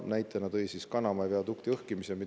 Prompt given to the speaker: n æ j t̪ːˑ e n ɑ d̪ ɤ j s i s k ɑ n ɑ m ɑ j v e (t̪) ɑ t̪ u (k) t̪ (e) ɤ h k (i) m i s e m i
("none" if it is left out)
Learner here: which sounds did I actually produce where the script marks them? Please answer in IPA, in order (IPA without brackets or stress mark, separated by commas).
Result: none, k, i, i